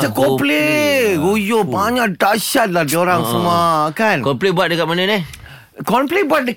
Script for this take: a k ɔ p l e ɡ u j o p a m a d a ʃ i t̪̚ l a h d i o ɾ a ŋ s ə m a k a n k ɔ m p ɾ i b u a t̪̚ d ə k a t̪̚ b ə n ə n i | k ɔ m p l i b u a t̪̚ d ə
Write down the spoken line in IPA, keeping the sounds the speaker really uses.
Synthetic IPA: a k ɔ p l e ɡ u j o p a ɲ a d a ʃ a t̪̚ l a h d i o ɾ a ŋ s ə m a k a n k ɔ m p l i b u a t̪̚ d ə k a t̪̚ m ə n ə n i | k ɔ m p l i b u a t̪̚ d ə